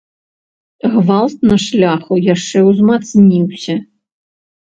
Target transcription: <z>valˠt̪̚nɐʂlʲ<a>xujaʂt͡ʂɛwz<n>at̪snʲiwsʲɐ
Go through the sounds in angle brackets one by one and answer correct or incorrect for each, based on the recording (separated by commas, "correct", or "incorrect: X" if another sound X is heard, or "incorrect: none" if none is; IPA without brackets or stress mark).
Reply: incorrect: ɣ, correct, incorrect: m